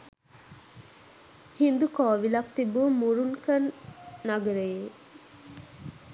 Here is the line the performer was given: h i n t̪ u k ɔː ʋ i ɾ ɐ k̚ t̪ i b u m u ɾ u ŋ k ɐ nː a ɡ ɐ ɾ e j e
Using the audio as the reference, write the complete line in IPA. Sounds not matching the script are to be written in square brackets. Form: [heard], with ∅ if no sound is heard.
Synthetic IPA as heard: h i n [d̪] u k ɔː ʋ i [l] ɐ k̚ t̪ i b u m u ɾ u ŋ k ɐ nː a ɡ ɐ ɾ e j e